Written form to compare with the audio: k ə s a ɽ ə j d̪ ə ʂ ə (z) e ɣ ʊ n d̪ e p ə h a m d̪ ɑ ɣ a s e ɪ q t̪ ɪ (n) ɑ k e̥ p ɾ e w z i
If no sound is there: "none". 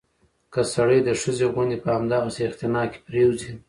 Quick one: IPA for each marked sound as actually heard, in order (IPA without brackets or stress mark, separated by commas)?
z, n